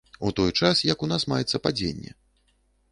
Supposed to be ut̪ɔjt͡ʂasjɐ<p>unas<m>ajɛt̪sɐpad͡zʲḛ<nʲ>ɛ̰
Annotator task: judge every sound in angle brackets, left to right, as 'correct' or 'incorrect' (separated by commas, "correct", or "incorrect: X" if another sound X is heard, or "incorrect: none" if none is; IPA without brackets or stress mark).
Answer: incorrect: k, correct, incorrect: nʲː